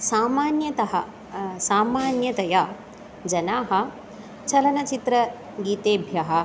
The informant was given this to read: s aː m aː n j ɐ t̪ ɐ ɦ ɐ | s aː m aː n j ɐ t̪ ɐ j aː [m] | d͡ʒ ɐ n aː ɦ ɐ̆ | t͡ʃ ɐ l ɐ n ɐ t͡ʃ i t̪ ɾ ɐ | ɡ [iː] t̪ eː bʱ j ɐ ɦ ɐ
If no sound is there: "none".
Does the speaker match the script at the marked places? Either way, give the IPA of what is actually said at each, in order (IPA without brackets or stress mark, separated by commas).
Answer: none, iː